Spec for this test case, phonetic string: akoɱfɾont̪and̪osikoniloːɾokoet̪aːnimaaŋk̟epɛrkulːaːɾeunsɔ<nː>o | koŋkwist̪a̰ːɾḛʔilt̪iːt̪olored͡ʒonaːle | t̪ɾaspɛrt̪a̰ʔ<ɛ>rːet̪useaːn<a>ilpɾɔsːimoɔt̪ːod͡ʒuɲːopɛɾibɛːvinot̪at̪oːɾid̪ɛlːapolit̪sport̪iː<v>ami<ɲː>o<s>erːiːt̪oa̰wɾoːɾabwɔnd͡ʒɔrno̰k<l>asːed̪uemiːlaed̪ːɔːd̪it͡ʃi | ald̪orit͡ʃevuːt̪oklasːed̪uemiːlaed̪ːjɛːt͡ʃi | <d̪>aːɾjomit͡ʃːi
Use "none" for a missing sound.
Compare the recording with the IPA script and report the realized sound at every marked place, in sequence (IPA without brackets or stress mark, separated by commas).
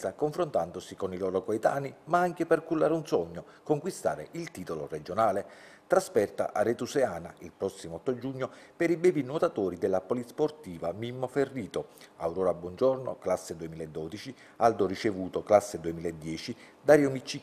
ɲː, a, a, v, mː, f, l, d̪